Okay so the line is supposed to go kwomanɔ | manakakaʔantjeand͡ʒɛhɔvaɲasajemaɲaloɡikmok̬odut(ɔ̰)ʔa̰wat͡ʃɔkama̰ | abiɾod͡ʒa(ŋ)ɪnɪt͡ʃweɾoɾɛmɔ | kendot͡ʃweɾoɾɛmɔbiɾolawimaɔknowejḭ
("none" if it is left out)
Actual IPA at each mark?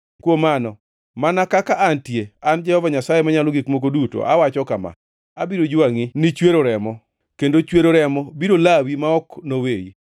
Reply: o̰, ŋ

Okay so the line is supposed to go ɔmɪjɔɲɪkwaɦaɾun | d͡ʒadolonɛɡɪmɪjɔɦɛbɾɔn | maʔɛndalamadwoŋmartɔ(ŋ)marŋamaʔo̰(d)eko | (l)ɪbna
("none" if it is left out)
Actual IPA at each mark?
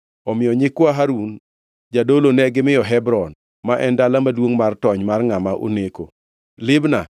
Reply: ɲ, n, l

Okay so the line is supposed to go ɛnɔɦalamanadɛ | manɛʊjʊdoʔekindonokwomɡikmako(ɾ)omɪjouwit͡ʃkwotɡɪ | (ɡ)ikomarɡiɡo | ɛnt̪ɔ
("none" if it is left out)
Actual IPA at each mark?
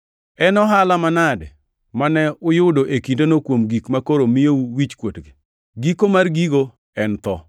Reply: ɾ, ɡ

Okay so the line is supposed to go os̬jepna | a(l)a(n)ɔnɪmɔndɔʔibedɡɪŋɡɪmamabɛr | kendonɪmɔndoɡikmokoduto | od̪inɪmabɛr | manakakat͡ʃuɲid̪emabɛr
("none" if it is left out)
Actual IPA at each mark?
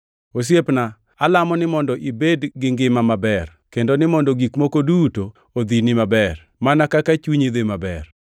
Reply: l, m

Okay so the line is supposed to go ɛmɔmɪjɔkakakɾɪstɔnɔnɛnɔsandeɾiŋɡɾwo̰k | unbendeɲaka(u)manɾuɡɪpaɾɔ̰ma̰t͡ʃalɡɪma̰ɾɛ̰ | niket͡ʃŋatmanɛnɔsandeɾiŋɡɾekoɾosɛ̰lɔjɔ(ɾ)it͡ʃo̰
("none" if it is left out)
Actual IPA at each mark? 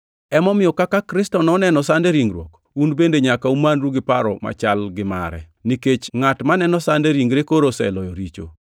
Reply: u, ɾ

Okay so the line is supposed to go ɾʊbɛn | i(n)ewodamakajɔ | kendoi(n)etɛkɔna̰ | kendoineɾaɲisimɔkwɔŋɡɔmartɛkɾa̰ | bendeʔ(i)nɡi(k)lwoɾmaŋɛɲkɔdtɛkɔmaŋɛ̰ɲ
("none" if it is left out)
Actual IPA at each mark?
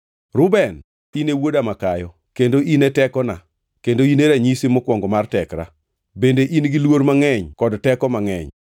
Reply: n, n, i, none

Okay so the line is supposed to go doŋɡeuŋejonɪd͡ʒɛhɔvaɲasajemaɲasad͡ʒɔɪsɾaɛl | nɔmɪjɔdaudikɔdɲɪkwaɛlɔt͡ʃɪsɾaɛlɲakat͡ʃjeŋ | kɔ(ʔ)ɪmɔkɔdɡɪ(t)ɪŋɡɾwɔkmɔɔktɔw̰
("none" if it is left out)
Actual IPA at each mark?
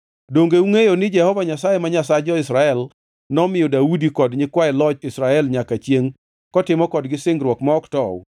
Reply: t, s

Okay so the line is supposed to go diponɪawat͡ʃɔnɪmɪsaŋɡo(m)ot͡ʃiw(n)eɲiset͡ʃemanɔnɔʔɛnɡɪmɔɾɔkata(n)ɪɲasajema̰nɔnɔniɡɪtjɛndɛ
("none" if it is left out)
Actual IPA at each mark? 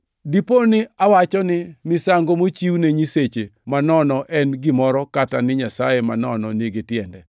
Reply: m, n, n

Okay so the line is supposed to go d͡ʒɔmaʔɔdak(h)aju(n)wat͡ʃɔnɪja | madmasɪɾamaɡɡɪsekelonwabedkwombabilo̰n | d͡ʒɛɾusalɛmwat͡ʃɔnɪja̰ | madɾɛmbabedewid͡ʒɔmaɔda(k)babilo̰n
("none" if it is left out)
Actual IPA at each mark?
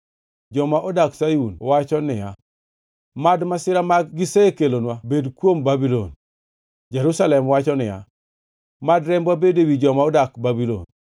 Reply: s, n, k

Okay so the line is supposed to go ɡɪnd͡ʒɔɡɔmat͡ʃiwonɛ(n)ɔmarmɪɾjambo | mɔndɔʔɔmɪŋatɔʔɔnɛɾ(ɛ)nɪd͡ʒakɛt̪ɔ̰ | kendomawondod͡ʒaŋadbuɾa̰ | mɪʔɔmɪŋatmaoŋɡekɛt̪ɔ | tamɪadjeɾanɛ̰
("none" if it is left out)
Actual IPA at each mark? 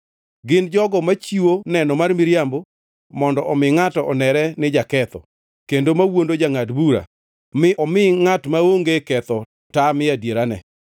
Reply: n, ɛ

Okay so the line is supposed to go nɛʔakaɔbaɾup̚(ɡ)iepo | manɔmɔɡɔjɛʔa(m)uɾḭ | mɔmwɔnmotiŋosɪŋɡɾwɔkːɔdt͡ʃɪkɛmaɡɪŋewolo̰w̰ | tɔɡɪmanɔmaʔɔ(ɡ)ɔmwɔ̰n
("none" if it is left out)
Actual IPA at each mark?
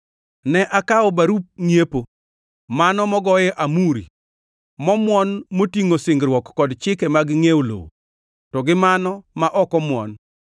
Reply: ŋ, m, k

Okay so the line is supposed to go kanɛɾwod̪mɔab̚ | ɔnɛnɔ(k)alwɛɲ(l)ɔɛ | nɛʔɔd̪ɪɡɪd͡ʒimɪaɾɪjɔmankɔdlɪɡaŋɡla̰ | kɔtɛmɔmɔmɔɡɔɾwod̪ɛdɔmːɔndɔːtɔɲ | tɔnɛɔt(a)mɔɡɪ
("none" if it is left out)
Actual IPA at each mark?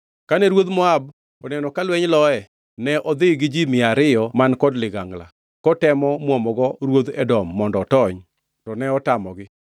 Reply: k, l, a

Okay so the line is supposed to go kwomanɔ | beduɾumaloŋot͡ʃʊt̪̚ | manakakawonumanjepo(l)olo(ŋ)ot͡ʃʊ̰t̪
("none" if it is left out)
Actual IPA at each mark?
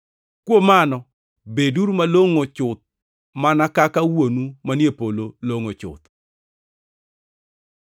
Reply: l, ŋ

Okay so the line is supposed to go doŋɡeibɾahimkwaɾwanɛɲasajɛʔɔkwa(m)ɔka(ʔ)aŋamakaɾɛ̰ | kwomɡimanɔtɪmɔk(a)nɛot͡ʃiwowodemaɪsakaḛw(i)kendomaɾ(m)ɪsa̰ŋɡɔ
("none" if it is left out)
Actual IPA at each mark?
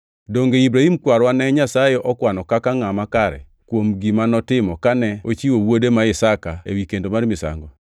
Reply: n, k, a, i, m

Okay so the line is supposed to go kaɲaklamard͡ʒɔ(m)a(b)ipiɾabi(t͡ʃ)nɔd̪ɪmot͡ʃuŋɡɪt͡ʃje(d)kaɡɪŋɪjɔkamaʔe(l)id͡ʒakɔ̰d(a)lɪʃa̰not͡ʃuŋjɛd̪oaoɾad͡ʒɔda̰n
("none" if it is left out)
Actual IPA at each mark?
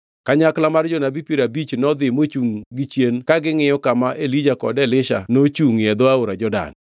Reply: n, b, t͡ʃ, n, l, ɛ

